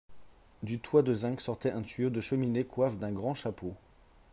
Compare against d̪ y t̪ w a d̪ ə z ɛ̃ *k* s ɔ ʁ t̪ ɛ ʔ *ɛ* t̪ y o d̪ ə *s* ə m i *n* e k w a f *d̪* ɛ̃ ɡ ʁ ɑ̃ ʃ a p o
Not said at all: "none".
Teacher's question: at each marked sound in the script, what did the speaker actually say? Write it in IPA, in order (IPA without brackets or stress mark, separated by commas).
k, ɛ̃, ʃ, n, d̪